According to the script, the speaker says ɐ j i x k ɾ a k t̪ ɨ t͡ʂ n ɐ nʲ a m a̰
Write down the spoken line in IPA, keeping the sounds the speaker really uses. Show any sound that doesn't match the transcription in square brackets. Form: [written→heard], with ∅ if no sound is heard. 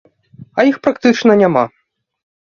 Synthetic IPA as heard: ɐ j i x [k→p] ɾ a k t̪ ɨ t͡ʂ n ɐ nʲ a m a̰